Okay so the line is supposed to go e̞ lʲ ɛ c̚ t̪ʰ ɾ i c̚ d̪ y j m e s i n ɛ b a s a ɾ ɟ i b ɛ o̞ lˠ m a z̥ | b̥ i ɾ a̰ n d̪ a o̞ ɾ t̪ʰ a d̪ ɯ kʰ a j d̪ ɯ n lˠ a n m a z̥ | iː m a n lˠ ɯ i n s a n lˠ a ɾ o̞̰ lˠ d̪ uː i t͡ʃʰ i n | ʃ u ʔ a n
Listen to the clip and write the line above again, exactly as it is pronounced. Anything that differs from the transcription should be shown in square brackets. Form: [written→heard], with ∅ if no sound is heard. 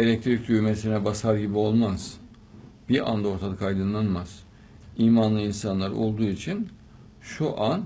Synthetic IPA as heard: e̞ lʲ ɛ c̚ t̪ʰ ɾ i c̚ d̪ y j m e s i n ɛ b a s a ɾ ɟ i b [ɛ→i] o̞ lˠ m a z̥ | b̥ i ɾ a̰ n d̪ a o̞ ɾ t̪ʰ a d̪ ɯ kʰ a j d̪ ɯ n lˠ a n m a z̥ | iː m a n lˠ ɯ i n s a n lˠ a ɾ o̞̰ lˠ d̪ uː i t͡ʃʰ i n | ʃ u ʔ a n